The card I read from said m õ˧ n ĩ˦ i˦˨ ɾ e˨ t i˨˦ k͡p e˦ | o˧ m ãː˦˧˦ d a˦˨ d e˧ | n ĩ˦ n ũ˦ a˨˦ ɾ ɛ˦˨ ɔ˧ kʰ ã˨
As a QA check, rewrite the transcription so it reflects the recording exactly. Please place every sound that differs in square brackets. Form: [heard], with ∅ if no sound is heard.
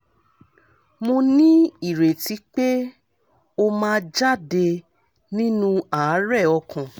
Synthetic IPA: m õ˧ n ĩ˦ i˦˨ ɾ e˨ t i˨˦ k͡p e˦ | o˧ m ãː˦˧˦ [d͡ʒ] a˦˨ d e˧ | n ĩ˦ n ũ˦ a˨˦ ɾ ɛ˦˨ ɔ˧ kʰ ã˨